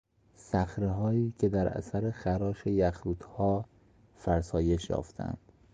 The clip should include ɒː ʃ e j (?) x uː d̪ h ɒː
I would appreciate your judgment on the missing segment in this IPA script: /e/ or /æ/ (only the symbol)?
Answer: æ